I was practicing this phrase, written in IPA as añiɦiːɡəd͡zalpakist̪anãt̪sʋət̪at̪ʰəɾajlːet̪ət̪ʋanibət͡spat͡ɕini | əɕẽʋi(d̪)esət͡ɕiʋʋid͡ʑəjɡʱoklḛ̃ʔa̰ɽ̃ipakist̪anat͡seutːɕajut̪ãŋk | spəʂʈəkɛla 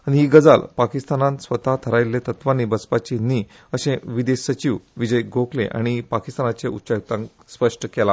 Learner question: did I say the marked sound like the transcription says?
yes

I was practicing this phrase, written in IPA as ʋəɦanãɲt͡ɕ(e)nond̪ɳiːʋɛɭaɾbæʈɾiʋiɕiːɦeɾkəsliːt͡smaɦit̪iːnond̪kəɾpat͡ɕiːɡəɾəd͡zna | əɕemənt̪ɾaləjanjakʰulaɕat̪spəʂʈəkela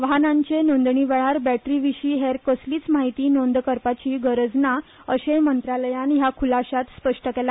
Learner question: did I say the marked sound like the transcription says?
yes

